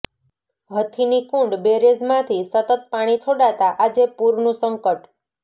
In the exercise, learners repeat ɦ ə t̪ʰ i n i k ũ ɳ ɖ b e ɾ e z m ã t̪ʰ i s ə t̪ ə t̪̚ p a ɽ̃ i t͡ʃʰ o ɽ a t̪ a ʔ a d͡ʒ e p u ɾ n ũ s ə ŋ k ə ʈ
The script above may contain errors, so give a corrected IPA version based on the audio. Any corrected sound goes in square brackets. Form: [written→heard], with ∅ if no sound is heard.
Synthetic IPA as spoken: ɦ ə t̪ʰ i n i k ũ ɳ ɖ b e ɾ e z m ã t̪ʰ i s ə t̪ ə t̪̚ p a ɽ̃ i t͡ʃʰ o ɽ a t̪ a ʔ a d͡ʒ e p u ɾ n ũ s ə ŋ k ə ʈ